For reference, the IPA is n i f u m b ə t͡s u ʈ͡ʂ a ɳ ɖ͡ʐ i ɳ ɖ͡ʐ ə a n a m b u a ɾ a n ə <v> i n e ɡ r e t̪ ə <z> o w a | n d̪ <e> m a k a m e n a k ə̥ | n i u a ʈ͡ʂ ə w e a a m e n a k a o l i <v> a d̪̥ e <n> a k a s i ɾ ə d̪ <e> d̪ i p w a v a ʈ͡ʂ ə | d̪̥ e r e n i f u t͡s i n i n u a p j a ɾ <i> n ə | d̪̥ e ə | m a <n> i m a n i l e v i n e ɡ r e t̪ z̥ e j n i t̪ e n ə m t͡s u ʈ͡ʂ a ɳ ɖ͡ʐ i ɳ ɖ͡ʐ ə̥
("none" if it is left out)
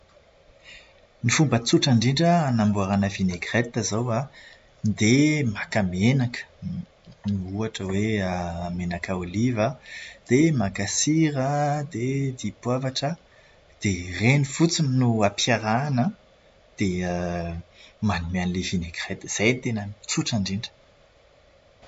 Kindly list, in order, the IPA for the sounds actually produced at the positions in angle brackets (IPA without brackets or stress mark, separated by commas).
v, z, e, v, m, e, a, n